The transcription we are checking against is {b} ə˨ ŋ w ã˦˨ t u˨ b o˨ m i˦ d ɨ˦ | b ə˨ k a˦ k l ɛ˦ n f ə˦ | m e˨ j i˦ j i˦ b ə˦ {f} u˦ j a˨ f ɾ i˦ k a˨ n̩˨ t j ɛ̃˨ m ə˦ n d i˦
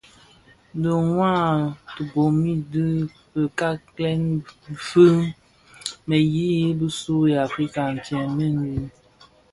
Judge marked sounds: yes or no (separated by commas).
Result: no, no